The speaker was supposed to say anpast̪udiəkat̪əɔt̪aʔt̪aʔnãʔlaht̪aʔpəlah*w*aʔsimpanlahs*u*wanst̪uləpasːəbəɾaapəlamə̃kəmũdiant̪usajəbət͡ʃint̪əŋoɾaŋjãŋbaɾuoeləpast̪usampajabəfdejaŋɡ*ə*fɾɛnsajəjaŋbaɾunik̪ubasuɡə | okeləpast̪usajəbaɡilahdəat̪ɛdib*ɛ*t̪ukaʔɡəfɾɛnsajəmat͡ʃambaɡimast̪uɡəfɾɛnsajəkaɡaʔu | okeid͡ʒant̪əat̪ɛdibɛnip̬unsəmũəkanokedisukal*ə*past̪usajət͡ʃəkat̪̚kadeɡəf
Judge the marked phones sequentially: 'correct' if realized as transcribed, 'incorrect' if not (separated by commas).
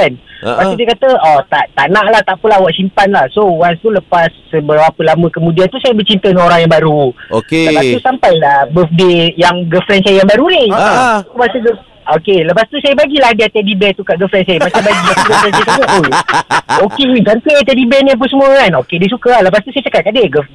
correct, incorrect, correct, correct, correct